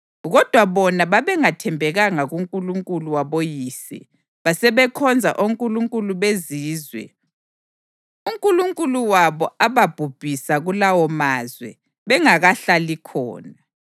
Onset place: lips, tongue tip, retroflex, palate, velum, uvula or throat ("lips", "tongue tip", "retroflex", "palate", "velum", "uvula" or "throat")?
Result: velum